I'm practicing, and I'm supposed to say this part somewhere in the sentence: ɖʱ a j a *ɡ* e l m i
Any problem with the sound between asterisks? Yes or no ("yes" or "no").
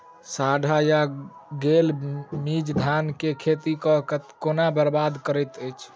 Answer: no